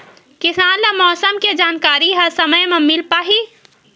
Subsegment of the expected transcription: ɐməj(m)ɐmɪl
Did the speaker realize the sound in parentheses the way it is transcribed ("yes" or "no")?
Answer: yes